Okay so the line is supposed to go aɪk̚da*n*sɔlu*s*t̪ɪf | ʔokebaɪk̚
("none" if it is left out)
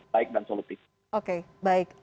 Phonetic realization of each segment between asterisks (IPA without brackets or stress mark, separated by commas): n, none